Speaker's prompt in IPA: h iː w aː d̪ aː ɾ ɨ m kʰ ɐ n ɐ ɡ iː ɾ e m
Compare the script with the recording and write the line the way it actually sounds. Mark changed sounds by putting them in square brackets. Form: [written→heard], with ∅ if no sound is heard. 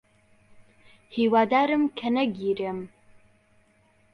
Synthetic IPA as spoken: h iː w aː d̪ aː ɾ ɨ m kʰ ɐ n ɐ ɡ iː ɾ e m